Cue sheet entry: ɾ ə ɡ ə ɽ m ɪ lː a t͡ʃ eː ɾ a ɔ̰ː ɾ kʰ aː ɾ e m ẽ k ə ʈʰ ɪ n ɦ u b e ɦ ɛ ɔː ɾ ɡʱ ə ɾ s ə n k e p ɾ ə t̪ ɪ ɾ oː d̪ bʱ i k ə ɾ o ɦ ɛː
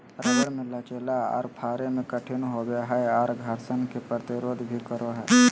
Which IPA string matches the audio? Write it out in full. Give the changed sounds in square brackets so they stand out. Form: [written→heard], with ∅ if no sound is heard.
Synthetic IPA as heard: ɾ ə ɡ ə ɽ m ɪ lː a t͡ʃ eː [ɾ→l] a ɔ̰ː ɾ [kʰ→pʰ] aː ɾ e m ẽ k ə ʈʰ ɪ n ɦ [u→o] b e ɦ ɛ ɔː ɾ ɡʱ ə ɾ s ə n k e p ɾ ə t̪ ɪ ɾ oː d̪ bʱ i k ə ɾ o ɦ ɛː